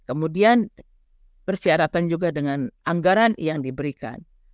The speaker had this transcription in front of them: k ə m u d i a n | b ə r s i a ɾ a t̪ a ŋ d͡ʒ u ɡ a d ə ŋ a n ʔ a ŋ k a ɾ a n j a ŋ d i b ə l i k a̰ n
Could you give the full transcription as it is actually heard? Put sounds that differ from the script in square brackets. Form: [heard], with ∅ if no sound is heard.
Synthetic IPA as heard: k ə m u d i a n | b ə r s i a ɾ a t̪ a [n] d͡ʒ u ɡ a d ə ŋ a n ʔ a ŋ [ɡ] a ɾ a n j a ŋ d i b ə [ɾ] i k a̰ n

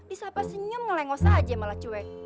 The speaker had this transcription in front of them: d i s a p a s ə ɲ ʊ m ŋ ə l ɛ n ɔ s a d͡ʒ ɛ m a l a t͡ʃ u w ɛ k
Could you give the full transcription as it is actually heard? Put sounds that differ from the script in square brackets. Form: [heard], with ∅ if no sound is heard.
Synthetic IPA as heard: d i s a p a s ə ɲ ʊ m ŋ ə l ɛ [ŋ] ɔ s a d͡ʒ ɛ m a l a t͡ʃ u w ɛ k

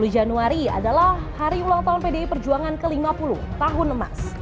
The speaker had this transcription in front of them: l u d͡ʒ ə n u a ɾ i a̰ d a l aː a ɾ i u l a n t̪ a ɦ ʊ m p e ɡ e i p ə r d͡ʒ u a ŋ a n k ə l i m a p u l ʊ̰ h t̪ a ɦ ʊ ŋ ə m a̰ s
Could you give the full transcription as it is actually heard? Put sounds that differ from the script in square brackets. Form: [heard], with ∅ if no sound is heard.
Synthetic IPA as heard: l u d͡ʒ [a] n u a ɾ i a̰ d a l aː a ɾ i u l a [ŋ] t̪ a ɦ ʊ [n] p e [d] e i p ə r d͡ʒ u a ŋ a n k ə l i m a p u l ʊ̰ h t̪ a ɦ ʊ [n] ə m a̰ s

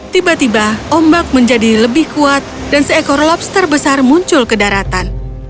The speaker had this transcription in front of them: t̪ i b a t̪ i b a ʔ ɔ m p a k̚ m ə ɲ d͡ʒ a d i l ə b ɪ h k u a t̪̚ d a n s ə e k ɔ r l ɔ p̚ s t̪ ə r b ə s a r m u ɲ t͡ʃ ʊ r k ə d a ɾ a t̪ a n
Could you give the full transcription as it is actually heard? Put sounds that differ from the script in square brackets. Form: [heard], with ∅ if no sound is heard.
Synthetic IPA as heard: t̪ i b a t̪ i b a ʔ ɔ m [b] a k̚ m ə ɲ d͡ʒ a d i l ə b ɪ h k u a t̪̚ d a n s ə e k ɔ r l ɔ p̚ s t̪ ə r b ə s a r m u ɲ t͡ʃ ʊ [l] k ə d a ɾ a t̪ a n

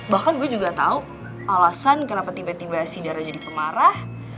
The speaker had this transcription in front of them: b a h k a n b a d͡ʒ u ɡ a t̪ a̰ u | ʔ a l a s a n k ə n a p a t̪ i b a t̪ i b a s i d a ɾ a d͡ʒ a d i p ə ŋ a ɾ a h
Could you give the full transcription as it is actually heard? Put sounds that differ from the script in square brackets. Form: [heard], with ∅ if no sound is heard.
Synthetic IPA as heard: b a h k a n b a d͡ʒ u ɡ a t̪ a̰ u | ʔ a l a s a n k ə n a p a t̪ i b a t̪ i b a s i d a ɾ a d͡ʒ a d i p ə [m] a ɾ a h

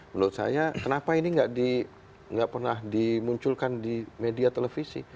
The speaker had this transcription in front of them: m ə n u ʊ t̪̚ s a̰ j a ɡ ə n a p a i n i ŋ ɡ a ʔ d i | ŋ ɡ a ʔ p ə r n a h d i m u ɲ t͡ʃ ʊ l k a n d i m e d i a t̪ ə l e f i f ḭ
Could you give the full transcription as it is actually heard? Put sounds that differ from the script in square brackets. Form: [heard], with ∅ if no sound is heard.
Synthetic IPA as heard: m ə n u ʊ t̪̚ s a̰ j a [k] ə n a p a i n i ŋ ɡ a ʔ d i | ŋ ɡ a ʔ p ə r n a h d i m u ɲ t͡ʃ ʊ l k a n d i m e d i a t̪ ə l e f i [s] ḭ

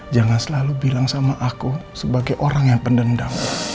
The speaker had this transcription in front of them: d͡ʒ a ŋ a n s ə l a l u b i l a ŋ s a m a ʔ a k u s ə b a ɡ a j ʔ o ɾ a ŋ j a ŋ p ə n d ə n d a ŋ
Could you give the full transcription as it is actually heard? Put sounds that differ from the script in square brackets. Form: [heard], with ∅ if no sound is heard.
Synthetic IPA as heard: d͡ʒ a ŋ a n s ə l a l u b i l a ŋ s a m a ʔ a k u s ə b a ɡ a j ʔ o ɾ a ŋ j a ŋ p ə n d ə n d a ŋ

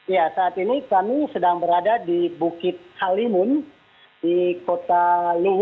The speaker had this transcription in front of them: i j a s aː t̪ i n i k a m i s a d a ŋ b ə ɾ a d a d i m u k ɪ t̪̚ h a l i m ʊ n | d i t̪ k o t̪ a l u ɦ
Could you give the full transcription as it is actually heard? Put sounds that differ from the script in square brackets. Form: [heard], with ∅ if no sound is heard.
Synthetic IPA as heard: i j a s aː t̪ i n i k a m i s [ə] d a ŋ b ə ɾ a d a d i [b] u k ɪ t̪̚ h a l i m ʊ n | d i [∅] k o t̪ a l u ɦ

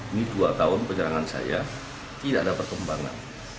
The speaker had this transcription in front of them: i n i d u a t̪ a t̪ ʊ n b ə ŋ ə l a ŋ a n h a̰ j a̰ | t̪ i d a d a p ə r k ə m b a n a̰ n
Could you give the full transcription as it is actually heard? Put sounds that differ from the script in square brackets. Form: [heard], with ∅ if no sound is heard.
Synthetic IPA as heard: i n i d u a t̪ a [∅] ʊ n [p] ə [ɲ] ə [ɾ] a ŋ a n [s] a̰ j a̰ | t̪ i d a d a p ə r k ə m b a [ŋ] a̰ n

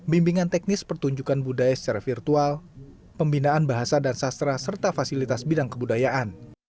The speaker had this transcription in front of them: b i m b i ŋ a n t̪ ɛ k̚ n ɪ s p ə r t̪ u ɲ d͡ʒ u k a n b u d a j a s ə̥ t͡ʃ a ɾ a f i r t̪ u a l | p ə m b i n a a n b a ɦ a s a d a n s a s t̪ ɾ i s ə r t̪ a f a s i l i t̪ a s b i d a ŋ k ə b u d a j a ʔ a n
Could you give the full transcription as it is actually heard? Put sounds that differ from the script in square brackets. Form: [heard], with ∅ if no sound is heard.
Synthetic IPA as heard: b i m b i ŋ a n t̪ ɛ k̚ n ɪ s p ə r t̪ u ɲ d͡ʒ u k a n b u d a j a s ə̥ t͡ʃ a ɾ a f i r t̪ u a l | p ə m b i n a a n b a ɦ a s a d a n s a s t̪ ɾ [a] s ə r t̪ a f a s i l i t̪ a s b i d a ŋ k ə b u d a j a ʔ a n

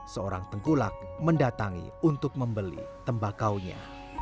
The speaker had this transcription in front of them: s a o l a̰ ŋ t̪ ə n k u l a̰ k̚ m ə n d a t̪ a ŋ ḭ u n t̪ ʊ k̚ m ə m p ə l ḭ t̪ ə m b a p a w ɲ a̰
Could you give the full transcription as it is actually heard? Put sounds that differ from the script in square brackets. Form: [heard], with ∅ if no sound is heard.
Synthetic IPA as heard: s [ə] o [ɾ] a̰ ŋ t̪ ə [ŋ] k u l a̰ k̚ m ə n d a t̪ a ŋ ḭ u n t̪ ʊ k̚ m ə m [b] ə l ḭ t̪ ə m b a [k] a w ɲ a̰

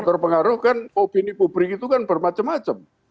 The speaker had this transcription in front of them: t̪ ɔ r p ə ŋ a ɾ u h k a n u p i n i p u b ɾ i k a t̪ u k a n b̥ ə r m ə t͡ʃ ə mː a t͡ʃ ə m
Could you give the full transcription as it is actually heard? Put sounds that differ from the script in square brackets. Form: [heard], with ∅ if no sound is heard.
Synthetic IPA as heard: t̪ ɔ r p ə ŋ a ɾ [ʊ] h k a n [o] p i n i p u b ɾ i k [i] t̪ u k a n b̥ ə r m [a] t͡ʃ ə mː a t͡ʃ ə m

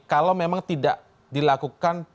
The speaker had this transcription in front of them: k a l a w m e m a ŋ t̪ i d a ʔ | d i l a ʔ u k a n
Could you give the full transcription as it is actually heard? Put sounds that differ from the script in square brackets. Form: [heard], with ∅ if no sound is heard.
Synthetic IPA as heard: k a l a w m e m a ŋ t̪ i d a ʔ | d i l a [k] u k a n

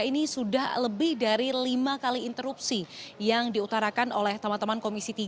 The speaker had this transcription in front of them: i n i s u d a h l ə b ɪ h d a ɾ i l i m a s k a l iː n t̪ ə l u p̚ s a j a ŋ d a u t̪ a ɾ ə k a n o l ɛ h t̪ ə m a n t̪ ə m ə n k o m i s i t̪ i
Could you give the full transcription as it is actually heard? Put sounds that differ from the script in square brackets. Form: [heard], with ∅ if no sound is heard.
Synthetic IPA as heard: i n i s u d a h l ə b ɪ h d a ɾ i l i m a [∅] k a l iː n t̪ ə [ɾ] u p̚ s [i] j a ŋ d [i] u t̪ a ɾ [a] k a n o l ɛ h t̪ ə m a n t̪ ə m [a] n k o m i s i t̪ i

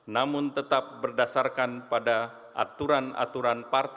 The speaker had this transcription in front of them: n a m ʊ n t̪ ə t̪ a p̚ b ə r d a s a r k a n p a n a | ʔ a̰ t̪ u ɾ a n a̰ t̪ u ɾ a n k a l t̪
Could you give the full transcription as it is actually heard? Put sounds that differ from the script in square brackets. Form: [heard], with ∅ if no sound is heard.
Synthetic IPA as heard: n a m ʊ n t̪ ə t̪ a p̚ b ə r d a s a r k a n p a [d] a | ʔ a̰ t̪ u ɾ a n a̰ t̪ u ɾ a n [p] a [r] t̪

